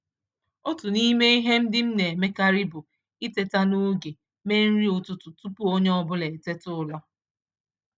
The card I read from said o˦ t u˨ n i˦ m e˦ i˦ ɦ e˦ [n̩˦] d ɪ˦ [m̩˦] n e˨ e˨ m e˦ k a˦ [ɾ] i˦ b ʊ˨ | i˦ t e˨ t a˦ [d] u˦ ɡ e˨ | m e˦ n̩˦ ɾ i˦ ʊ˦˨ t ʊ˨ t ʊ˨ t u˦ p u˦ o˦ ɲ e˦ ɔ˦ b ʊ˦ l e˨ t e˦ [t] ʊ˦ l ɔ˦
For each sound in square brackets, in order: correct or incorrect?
incorrect: m̩˦, correct, correct, incorrect: n, correct

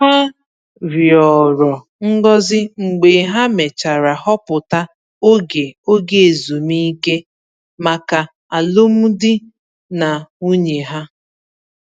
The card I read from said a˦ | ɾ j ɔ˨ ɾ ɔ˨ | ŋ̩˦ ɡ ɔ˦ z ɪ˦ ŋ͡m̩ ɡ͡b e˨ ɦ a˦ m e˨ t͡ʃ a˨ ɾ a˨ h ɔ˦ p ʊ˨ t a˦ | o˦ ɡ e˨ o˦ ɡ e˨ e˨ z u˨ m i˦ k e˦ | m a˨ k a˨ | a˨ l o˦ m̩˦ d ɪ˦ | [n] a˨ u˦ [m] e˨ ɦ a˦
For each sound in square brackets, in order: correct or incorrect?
correct, incorrect: ɲ

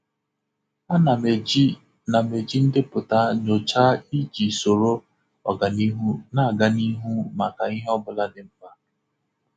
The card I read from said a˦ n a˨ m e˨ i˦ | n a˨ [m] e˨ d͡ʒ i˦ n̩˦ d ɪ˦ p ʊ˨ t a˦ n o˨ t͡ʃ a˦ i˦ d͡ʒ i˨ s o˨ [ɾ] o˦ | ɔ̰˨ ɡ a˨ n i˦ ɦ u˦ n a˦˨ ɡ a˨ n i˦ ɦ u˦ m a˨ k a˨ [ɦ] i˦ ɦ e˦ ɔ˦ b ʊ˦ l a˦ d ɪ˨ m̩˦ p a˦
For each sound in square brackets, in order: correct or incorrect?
correct, correct, incorrect: none

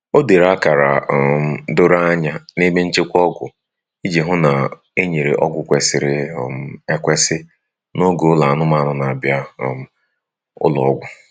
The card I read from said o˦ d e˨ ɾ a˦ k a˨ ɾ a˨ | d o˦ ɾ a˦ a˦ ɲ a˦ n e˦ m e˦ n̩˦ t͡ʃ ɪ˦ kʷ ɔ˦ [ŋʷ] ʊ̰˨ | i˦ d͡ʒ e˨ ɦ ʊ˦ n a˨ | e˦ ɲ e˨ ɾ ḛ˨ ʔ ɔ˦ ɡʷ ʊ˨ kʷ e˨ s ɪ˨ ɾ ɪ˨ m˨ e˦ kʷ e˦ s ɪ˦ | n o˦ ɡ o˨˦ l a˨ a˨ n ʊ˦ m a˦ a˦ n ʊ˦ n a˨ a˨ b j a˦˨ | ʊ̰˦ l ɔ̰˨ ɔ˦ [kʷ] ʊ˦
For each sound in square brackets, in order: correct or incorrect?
incorrect: ɡʷ, incorrect: ɡʷ

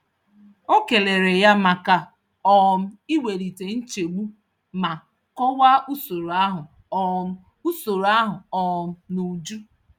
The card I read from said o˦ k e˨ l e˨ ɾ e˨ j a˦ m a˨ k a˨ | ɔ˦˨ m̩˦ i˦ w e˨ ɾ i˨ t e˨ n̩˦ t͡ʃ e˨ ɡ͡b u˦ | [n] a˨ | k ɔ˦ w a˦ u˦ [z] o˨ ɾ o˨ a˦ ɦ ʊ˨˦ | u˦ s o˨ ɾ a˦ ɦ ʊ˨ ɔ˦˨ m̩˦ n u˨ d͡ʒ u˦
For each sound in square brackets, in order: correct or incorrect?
incorrect: m, incorrect: s

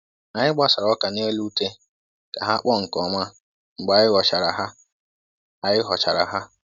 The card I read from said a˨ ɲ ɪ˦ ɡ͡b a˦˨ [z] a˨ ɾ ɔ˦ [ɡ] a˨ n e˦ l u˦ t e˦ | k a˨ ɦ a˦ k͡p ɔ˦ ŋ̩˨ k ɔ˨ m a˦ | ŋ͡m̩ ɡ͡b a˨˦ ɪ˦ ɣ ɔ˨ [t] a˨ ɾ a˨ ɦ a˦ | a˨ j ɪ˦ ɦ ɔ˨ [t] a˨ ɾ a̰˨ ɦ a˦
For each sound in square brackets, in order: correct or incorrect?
incorrect: s, incorrect: k, incorrect: t͡ʃ, incorrect: t͡ʃ

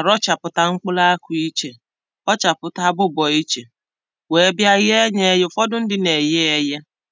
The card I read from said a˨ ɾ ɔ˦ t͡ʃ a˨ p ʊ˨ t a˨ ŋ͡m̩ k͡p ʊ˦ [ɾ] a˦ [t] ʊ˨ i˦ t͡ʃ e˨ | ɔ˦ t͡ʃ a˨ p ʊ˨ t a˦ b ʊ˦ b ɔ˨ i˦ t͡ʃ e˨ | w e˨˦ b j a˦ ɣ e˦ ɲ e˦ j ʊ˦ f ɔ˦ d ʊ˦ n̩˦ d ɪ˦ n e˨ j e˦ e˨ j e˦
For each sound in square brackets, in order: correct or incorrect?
incorrect: l, incorrect: k

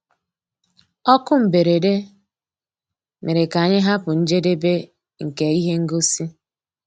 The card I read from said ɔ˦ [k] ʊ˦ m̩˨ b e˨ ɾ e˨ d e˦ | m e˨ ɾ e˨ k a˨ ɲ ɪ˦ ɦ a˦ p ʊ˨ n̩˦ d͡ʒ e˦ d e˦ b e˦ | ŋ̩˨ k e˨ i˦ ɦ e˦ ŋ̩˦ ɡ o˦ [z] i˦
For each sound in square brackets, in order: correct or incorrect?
correct, incorrect: s

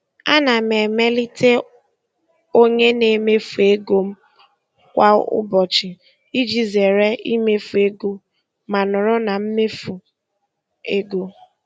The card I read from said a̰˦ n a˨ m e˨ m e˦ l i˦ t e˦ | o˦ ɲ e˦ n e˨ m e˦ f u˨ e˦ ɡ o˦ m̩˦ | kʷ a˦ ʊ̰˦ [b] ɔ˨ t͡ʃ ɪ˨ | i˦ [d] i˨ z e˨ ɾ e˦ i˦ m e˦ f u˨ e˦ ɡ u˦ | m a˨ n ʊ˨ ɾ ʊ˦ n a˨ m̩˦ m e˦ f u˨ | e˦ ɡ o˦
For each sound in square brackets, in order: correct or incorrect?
correct, incorrect: d͡ʒ

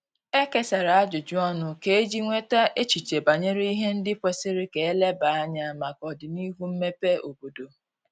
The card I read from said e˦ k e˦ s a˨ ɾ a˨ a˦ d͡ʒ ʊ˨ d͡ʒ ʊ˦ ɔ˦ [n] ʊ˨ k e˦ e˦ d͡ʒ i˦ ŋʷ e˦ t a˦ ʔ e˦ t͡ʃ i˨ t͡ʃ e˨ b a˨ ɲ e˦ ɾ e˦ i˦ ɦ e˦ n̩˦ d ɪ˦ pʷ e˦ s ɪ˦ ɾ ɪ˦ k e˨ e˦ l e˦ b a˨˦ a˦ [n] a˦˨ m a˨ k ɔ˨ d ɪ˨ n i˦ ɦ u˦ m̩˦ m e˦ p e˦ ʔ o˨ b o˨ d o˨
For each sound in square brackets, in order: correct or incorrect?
correct, incorrect: ɲ

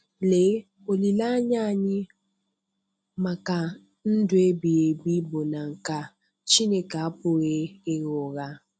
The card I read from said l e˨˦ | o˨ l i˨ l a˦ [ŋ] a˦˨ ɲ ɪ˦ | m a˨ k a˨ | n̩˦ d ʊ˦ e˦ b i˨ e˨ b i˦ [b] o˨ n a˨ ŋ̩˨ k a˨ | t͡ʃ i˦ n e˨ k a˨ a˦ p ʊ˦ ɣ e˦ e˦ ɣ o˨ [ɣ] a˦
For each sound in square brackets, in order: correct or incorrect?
incorrect: ɲ, correct, correct

